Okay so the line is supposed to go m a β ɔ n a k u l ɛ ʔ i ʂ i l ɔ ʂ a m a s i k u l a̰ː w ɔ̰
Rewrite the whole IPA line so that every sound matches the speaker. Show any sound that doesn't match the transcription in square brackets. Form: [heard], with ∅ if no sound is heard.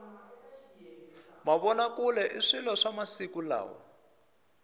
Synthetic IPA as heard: m a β ɔ n a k u l ɛ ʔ i ʂ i l ɔ ʂ a m a s i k u l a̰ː w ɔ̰